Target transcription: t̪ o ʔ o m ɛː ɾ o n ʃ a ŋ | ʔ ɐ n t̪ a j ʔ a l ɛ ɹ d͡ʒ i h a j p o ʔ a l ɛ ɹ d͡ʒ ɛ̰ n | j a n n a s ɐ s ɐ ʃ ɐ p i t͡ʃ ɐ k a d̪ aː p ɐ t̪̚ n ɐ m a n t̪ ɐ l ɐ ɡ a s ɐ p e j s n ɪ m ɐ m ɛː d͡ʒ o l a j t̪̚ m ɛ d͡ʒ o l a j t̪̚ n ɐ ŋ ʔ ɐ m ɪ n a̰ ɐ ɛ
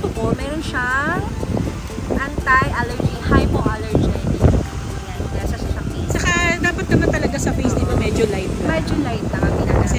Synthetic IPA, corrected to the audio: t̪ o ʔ o m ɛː ɾ o n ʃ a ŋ | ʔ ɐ n t̪ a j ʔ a l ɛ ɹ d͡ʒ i h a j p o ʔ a l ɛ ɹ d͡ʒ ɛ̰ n | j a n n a s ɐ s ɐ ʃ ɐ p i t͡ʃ ɐ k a d̪ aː p ɐ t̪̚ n ɐ m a n t̪ ɐ l ɐ ɡ a s ɐ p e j s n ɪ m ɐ m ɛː d͡ʒ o l a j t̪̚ m ɛ d͡ʒ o l a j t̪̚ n ɐ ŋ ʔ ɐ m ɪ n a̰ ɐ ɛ